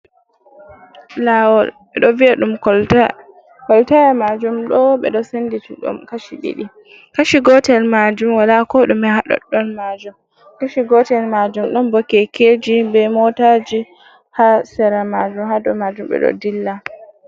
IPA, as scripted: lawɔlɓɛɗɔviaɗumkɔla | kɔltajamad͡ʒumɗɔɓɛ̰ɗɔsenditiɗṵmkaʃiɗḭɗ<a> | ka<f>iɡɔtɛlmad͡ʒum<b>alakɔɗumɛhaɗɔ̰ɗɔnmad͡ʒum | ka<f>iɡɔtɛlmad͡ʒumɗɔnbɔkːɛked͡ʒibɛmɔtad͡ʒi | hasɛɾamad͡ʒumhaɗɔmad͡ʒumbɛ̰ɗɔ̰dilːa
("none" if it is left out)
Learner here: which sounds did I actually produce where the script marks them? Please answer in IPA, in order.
i, ʃ, w, ʃ

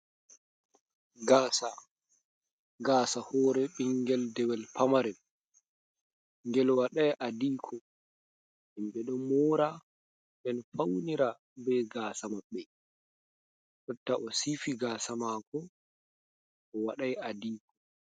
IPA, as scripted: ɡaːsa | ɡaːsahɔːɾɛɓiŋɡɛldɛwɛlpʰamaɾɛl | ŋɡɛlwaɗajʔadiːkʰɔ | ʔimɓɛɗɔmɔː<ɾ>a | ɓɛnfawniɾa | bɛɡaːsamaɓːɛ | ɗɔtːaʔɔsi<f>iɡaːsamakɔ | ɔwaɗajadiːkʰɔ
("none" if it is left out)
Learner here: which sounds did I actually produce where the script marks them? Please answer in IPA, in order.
ɾ, f

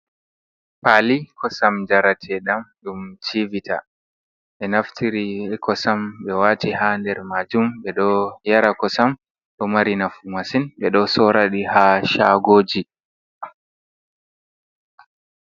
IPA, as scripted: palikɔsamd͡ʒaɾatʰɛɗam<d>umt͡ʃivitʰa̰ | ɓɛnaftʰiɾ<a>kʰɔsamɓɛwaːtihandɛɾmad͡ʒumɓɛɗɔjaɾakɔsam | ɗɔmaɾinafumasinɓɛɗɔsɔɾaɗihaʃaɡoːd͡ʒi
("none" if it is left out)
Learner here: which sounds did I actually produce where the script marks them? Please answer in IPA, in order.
ɗ, i

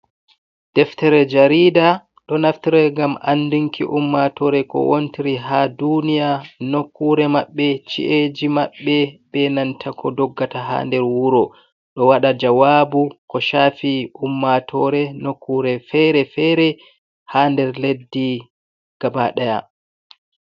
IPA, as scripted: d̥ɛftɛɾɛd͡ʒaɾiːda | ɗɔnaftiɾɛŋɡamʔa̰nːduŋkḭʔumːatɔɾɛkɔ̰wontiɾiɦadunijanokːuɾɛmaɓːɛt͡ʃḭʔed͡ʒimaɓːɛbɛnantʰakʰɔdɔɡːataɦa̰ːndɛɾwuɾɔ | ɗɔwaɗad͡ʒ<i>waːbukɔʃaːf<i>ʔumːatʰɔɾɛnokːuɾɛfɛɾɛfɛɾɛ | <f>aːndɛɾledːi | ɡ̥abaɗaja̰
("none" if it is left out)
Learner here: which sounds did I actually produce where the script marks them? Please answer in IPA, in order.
a, i, h

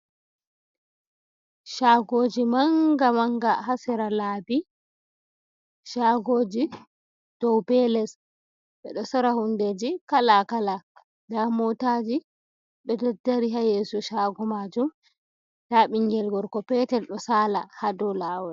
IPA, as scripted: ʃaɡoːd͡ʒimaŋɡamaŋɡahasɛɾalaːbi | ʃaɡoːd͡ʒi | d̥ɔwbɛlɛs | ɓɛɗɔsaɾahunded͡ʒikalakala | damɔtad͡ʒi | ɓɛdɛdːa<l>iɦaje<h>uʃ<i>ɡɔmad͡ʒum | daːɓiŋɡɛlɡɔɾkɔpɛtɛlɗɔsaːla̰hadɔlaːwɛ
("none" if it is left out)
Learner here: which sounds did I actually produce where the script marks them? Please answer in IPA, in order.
ɾ, s, a

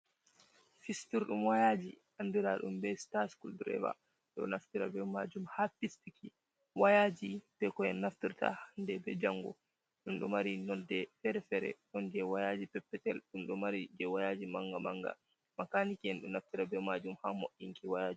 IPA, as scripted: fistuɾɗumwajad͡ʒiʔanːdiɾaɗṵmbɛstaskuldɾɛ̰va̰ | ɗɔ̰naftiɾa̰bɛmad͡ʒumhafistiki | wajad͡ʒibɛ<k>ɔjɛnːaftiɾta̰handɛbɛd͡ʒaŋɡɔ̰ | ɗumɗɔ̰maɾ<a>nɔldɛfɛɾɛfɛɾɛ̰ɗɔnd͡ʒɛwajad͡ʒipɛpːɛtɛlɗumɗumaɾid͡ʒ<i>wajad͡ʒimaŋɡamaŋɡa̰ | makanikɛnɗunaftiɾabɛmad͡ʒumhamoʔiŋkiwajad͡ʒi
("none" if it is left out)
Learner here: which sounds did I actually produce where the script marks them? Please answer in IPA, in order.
k, i, ɛ

